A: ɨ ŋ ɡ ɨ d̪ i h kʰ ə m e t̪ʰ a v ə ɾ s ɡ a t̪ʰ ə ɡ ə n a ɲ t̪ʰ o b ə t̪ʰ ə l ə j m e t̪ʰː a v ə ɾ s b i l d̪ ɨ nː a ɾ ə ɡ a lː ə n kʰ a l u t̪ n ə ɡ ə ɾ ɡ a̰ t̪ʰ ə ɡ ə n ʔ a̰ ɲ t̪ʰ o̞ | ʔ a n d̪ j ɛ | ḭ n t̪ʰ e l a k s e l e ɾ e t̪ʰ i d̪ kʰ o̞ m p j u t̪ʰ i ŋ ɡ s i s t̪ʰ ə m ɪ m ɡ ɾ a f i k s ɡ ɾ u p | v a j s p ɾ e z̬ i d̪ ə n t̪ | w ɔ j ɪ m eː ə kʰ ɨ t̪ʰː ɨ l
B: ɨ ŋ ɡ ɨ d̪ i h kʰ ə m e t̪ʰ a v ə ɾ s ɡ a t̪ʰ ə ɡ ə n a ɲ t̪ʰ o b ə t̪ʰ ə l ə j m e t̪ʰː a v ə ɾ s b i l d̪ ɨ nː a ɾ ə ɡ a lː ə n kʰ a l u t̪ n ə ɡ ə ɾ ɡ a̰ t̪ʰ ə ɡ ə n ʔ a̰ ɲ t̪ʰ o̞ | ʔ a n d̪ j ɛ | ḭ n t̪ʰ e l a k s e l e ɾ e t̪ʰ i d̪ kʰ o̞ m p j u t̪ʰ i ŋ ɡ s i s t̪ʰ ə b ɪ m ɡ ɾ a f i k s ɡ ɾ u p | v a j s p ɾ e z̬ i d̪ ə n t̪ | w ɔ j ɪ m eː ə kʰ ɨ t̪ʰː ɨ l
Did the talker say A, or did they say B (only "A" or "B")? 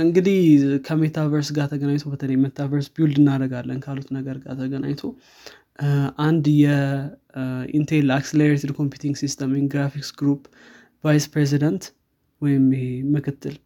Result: A